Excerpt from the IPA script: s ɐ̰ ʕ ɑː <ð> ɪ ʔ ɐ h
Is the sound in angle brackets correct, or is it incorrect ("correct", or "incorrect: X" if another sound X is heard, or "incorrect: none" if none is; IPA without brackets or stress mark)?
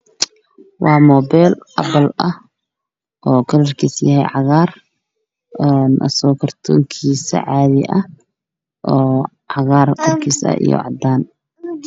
correct